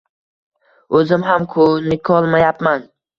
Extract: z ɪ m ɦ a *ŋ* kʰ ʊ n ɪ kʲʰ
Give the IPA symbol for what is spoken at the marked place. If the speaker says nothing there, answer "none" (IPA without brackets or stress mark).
m